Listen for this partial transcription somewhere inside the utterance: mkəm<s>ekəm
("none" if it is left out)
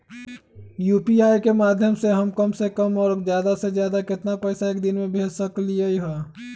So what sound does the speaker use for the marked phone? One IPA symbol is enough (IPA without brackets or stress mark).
s